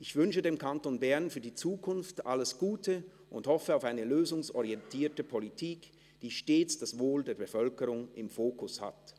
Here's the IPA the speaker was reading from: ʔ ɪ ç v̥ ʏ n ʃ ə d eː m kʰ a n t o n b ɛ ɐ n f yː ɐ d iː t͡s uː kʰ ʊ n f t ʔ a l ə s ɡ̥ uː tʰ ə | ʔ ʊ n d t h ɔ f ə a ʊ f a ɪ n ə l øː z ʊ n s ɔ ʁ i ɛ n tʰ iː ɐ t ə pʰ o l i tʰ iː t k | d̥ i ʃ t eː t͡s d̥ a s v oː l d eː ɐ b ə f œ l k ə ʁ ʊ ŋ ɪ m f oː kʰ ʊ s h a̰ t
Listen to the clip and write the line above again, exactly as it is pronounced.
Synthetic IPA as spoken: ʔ ɪ ç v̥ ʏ n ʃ ə d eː m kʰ a n t o n b ɛ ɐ n f yː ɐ d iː t͡s uː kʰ ʊ n f t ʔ a l ə s ɡ̥ uː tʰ ə | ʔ ʊ n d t h ɔ f ə a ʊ f a ɪ n ə l øː z ʊ ŋ s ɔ ʁ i ɛ n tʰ iː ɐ t ə pʰ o l i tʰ iː k | d̥ iː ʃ t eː t͡s d̥ a s v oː l d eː ɐ b ə f œ l k ə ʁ ʊ ŋ ɪ m f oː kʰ ʊ s h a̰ t